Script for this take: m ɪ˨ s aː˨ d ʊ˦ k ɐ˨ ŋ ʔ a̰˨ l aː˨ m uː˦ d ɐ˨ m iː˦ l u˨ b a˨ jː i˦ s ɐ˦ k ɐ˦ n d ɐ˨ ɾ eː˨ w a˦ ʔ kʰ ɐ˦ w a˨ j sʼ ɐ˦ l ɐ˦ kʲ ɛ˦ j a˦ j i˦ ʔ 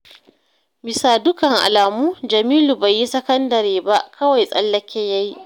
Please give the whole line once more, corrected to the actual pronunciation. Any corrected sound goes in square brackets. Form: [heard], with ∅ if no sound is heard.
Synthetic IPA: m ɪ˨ s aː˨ d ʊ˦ k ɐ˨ ŋ ʔ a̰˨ l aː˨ m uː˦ [d͡ʒ] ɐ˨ m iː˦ l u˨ b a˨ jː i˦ s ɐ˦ k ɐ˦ n d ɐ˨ ɾ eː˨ [b] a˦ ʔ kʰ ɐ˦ w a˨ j sʼ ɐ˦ [lː] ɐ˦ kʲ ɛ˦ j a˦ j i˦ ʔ